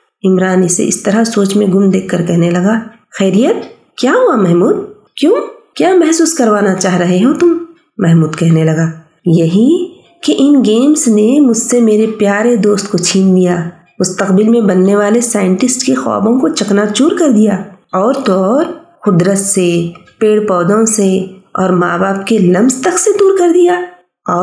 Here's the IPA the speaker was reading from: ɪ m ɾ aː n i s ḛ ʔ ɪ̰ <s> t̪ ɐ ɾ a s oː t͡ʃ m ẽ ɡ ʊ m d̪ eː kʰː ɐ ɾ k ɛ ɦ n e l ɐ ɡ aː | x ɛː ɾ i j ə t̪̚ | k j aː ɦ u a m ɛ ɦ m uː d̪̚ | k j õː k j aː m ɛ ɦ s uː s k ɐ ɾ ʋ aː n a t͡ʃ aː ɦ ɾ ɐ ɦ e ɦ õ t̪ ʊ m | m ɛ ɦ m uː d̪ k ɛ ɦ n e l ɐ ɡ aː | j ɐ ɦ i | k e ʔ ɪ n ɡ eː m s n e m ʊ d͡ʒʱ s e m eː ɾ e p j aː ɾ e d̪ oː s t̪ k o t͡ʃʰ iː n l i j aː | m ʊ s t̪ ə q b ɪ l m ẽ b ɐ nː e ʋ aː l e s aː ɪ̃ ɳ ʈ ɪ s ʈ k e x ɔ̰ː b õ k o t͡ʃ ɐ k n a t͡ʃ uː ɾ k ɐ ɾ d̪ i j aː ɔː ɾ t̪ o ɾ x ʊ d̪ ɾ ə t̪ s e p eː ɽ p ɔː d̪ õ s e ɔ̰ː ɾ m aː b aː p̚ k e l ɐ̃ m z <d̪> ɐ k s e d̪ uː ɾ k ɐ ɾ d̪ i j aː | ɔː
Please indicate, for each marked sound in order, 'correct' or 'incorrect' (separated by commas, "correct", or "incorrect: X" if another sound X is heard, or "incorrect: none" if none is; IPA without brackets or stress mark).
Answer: correct, incorrect: t̪